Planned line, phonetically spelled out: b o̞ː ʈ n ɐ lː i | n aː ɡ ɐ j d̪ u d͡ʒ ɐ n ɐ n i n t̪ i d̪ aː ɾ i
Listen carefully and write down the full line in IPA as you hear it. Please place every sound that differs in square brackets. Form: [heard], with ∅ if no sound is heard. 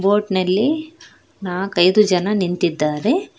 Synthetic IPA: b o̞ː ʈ n ɐ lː i | n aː [k] ɐ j d̪ u d͡ʒ ɐ n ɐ n i n t̪ i [d̪ː] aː ɾ [e]